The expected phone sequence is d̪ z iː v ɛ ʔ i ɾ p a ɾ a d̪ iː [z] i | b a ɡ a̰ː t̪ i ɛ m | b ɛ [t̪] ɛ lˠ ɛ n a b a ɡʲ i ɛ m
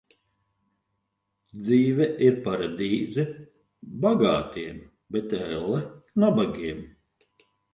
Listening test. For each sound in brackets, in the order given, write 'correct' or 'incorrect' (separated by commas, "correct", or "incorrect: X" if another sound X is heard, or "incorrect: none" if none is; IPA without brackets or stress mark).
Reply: correct, correct